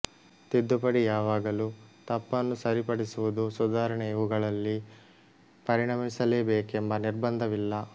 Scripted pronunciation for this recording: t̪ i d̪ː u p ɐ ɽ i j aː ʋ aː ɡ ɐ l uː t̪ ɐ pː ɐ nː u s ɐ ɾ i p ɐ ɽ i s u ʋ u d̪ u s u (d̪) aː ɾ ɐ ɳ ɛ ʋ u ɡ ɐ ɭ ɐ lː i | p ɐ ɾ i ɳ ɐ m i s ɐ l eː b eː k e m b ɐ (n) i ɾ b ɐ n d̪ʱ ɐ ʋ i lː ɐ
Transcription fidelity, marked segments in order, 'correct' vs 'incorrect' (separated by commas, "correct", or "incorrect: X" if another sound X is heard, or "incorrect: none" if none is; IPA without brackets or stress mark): correct, correct